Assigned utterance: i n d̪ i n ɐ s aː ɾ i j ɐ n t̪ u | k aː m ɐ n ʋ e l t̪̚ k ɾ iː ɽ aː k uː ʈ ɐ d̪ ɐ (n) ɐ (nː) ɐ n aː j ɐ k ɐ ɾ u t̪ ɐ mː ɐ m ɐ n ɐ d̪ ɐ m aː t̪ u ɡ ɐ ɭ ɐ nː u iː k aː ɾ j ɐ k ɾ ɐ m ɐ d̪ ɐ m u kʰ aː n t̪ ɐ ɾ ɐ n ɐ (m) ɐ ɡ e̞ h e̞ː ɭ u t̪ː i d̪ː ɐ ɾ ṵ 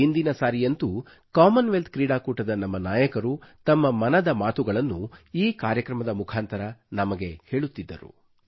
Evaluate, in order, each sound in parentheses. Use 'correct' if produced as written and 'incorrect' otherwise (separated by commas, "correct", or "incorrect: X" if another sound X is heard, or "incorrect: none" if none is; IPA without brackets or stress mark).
correct, incorrect: mː, correct